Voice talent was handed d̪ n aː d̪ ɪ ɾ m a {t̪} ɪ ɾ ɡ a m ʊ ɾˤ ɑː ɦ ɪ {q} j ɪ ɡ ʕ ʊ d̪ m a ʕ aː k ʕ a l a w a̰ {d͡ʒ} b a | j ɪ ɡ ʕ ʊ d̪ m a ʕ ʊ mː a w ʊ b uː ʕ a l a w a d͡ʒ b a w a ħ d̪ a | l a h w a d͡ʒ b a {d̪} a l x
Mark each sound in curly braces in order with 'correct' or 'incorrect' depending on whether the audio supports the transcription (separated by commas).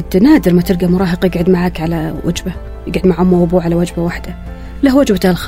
correct, correct, correct, incorrect